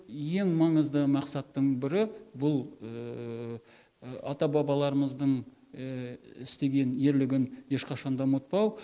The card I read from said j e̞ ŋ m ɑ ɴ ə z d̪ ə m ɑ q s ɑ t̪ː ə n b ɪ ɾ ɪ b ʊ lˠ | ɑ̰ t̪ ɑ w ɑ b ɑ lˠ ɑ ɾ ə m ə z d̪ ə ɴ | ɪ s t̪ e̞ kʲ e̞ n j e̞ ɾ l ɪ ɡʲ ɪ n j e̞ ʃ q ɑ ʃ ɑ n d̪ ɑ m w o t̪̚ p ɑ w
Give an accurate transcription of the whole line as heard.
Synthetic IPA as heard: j e̞ ŋ m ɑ ɴ ə z d̪ ə m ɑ q s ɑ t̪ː ə ɴ b ɪ ɾ ɪ b ʊ lˠ | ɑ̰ t̪ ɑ b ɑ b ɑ lˠ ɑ ɾ ə m ə z d̪ ə ɴ | ɪ s t̪ e̞ ɡʲ e̞ n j e̞ ɾ l ɪ ɡʲ ɪ n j e̞ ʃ q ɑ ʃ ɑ n d̪ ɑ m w o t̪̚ p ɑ w